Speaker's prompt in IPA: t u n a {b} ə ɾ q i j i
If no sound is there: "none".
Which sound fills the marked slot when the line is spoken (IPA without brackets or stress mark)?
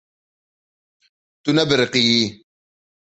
b